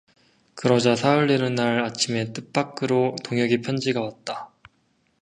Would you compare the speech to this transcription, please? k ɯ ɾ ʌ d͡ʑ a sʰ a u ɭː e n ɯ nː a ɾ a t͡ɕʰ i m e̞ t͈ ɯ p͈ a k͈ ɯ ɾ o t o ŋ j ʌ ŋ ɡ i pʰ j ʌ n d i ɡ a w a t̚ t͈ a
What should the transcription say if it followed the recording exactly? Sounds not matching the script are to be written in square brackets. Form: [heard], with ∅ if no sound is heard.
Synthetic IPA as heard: k ɯ ɾ ʌ d͡ʑ a sʰ a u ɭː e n ɯ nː a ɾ a t͡ɕʰ i m e̞ t͈ ɯ p͈ a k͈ ɯ ɾ o t o ŋ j ʌ [∅] ɡ i pʰ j ʌ n [d͡ʑ] i ɡ a w a t̚ t͈ a